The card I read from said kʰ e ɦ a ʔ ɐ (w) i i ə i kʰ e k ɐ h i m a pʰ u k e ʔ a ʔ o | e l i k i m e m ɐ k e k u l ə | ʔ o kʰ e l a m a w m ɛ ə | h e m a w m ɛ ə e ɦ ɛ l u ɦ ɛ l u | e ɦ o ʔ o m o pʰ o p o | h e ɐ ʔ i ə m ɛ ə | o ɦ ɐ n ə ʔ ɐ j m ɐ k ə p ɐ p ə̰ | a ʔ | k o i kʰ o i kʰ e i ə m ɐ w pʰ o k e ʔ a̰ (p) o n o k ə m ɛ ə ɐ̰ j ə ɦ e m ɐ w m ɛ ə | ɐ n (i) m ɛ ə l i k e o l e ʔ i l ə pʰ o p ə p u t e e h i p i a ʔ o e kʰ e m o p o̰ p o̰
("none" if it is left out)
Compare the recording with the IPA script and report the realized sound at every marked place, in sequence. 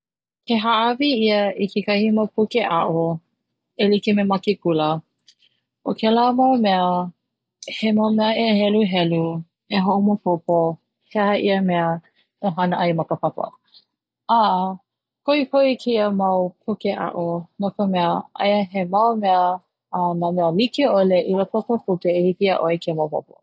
v, ʔ, a

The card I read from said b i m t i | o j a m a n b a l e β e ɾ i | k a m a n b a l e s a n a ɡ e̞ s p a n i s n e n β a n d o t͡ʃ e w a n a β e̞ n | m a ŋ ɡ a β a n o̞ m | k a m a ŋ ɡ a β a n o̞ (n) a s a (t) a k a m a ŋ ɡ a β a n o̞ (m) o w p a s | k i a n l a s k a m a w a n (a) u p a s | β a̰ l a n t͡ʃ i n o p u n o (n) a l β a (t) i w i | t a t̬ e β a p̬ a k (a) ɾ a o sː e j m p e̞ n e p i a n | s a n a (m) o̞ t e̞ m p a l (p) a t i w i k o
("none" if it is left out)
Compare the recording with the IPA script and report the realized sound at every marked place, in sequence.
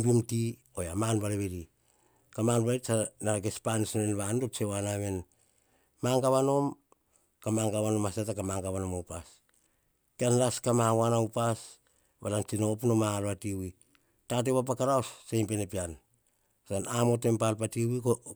m, t, m, a, m, t, a, m, p

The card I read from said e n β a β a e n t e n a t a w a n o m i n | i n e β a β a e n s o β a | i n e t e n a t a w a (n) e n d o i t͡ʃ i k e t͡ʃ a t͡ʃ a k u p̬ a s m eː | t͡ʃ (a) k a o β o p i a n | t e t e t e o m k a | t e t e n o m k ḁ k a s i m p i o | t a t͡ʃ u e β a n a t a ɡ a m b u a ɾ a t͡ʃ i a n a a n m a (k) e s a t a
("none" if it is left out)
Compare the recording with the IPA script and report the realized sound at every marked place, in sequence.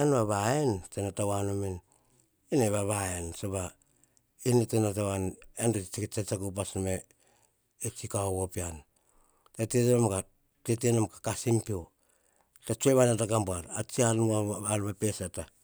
n, i, p

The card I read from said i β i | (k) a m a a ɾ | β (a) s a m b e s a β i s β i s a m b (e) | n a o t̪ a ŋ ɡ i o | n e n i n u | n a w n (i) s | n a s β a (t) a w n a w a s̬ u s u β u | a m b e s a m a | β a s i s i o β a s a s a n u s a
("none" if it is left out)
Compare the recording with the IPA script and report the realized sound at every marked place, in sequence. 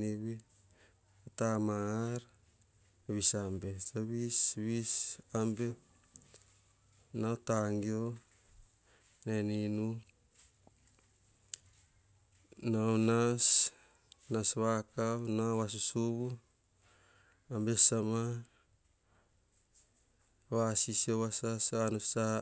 t, i, e, a, k

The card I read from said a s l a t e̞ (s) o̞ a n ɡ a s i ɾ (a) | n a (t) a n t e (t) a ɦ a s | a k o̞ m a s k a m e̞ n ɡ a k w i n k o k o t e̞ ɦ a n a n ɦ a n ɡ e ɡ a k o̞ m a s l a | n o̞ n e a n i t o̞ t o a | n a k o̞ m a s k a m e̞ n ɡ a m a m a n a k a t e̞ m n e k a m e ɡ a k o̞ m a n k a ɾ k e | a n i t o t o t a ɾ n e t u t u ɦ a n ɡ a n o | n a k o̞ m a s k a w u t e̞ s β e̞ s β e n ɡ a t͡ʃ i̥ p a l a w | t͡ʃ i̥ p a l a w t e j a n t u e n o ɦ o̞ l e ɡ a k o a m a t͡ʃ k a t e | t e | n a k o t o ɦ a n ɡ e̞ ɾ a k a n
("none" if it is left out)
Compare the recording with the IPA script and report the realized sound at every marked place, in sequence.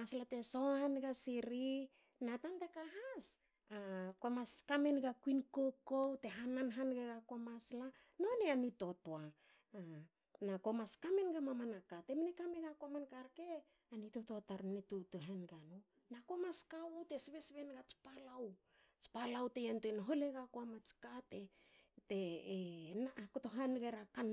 s, i, t, k

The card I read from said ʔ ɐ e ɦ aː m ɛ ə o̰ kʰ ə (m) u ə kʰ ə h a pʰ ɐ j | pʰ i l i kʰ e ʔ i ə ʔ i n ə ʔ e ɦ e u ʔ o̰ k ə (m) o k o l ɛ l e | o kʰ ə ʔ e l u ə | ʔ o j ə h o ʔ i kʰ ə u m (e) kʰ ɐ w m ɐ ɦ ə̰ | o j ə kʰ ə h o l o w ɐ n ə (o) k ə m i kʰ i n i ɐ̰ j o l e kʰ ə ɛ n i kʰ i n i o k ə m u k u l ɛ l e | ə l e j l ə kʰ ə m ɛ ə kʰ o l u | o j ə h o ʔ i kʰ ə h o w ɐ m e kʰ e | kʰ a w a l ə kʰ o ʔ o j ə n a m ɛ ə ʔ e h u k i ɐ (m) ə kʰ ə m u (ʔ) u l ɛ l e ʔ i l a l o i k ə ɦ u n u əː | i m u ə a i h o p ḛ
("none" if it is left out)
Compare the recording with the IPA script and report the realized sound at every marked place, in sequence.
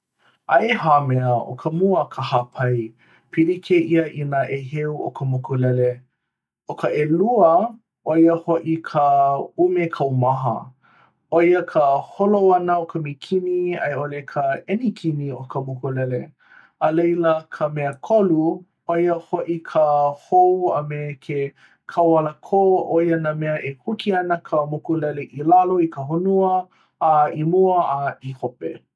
m, m, e, o, n, k

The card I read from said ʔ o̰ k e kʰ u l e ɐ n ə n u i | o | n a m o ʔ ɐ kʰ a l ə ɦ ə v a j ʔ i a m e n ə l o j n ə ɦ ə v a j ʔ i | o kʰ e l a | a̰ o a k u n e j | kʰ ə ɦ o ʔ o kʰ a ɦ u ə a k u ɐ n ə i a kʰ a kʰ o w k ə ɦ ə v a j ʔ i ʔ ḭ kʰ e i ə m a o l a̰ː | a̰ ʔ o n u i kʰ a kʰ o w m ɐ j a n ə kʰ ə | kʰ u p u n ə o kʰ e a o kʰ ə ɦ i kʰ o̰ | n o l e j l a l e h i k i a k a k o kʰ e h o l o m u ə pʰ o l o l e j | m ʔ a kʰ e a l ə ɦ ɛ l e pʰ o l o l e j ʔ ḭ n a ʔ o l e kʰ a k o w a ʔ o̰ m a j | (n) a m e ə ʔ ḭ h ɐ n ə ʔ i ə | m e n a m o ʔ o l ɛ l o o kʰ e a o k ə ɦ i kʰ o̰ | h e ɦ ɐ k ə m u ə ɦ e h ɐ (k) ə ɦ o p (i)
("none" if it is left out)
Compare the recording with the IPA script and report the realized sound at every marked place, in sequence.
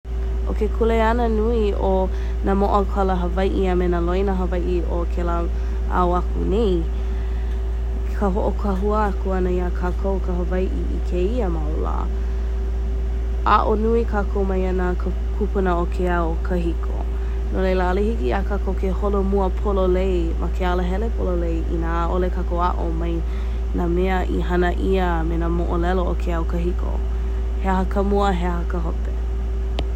n, k, e

